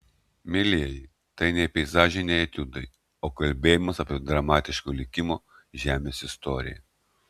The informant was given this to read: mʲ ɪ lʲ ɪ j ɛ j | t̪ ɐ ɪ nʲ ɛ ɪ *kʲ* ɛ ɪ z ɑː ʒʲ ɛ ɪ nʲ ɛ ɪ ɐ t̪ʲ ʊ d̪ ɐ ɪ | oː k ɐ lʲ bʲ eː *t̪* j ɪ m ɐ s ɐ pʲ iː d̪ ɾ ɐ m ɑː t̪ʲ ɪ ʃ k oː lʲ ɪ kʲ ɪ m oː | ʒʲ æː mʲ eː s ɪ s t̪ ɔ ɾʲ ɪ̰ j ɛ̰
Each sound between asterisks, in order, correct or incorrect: incorrect, incorrect

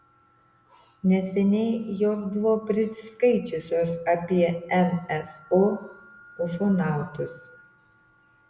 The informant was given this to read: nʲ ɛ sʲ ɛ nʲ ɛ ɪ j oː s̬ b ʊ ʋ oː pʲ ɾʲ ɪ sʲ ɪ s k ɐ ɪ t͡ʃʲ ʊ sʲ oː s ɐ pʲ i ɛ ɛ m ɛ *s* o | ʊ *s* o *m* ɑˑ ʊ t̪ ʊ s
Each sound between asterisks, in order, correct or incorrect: correct, incorrect, incorrect

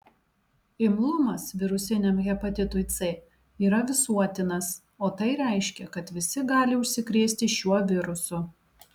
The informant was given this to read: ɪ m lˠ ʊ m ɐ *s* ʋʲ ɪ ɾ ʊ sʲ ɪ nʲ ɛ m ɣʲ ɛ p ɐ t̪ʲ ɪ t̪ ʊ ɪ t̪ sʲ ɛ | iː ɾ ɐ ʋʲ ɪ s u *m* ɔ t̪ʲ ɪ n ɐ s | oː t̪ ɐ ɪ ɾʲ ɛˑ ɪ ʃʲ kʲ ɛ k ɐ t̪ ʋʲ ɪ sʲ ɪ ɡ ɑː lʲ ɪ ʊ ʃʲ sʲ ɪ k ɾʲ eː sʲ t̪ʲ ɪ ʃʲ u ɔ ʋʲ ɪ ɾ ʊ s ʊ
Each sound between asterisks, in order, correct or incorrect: correct, incorrect

